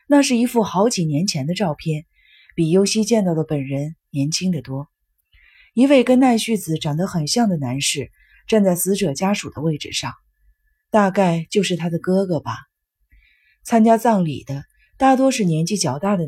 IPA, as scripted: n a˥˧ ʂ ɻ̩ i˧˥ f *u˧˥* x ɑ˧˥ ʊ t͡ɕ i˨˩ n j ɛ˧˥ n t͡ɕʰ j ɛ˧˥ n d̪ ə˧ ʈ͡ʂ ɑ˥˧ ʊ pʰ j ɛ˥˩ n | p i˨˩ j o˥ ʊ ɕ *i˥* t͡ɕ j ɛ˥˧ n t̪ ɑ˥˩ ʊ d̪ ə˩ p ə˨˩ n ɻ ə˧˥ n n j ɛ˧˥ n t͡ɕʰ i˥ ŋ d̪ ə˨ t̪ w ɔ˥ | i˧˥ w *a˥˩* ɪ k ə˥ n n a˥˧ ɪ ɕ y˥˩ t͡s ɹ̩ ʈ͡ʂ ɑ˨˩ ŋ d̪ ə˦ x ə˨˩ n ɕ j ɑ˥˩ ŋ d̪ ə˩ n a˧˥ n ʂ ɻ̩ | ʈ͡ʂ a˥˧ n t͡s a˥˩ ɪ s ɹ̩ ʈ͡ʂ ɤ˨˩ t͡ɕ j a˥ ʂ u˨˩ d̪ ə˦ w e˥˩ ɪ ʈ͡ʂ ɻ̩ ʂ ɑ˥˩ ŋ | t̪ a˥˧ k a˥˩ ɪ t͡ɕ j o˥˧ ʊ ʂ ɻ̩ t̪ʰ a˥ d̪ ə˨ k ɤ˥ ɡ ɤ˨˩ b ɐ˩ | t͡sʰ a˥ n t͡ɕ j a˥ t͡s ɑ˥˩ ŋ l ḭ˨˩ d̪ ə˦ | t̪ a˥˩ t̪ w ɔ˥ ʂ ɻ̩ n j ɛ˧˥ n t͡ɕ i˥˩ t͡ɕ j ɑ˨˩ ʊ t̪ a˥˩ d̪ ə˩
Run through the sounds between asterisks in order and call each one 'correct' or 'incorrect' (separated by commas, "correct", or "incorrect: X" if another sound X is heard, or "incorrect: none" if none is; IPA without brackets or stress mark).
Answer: incorrect: u˥˩, correct, incorrect: e˥˩